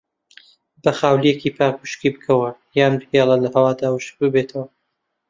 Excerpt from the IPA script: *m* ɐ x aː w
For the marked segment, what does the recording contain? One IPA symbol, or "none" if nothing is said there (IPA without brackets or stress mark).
b